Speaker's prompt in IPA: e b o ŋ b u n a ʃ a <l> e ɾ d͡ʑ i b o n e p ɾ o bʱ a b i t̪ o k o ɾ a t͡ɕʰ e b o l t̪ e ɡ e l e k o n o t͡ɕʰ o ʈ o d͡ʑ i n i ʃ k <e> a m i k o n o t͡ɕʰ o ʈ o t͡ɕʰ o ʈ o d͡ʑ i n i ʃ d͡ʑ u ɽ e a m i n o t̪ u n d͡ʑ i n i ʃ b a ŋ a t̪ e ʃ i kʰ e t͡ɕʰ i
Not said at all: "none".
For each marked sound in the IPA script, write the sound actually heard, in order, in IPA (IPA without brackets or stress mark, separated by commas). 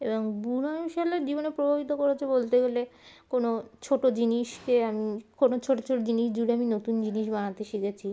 l, e